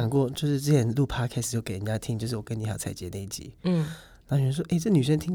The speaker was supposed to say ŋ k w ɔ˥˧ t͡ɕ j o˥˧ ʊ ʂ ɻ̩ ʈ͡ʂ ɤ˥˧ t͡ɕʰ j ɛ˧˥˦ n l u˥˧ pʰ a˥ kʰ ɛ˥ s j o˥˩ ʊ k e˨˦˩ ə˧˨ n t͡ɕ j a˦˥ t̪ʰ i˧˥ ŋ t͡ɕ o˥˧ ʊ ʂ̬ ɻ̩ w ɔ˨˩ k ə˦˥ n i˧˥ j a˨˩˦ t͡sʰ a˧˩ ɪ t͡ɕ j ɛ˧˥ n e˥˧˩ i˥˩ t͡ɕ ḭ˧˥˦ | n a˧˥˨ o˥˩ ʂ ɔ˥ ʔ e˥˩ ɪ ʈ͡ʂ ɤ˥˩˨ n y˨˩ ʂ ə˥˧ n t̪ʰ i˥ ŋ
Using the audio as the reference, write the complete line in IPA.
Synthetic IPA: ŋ k w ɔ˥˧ t͡ɕ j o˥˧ ʊ ʂ ɻ̩ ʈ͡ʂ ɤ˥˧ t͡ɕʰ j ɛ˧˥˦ n l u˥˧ pʰ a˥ kʰ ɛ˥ s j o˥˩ ʊ k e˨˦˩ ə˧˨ n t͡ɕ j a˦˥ t̪ʰ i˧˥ ŋ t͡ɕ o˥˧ ʊ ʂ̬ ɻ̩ w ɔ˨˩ k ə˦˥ n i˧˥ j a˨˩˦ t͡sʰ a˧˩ ɪ t͡ɕ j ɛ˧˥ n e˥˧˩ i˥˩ t͡ɕ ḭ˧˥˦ | n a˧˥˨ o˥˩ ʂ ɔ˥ ʔ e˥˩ ɪ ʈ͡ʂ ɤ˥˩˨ n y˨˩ ʂ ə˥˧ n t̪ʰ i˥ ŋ